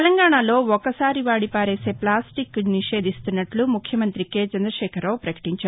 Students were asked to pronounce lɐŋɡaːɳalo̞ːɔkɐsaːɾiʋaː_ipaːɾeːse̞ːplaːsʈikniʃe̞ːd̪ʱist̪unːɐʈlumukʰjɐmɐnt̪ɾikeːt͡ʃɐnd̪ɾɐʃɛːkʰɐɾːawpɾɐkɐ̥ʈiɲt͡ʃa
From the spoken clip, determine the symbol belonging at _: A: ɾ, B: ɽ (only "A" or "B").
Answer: B